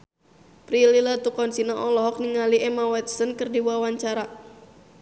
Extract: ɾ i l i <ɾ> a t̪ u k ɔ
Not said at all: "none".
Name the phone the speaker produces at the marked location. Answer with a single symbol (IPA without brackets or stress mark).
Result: l